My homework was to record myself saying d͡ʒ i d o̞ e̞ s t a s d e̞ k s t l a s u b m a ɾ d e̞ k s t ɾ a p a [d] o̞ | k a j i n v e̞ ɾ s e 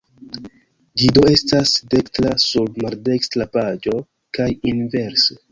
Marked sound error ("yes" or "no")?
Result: yes